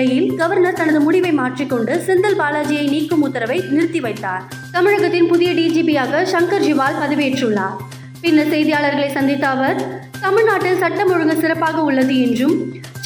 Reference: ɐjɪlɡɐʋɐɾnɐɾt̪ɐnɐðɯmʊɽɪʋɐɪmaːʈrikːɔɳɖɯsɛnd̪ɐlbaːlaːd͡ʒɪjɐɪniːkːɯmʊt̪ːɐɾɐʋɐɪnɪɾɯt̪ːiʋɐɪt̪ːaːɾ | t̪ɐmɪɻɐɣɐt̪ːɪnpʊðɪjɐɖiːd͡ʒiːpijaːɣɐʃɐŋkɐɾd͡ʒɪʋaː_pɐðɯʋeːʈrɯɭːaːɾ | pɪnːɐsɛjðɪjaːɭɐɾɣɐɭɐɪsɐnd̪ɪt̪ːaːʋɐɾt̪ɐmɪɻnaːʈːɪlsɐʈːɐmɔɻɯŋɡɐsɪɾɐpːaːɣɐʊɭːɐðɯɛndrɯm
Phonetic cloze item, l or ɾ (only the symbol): l